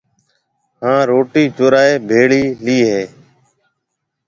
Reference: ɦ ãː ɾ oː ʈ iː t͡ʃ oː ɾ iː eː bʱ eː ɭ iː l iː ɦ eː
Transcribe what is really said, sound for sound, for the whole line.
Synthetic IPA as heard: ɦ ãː ɾ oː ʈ iː t͡ʃ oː ɾ aː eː bʱ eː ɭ iː l iː ɦ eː